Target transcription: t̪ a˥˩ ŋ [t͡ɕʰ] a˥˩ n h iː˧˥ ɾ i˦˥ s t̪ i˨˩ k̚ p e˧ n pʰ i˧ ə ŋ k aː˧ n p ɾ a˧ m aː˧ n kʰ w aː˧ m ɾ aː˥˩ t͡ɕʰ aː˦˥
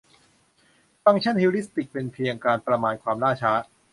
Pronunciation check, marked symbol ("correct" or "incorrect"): correct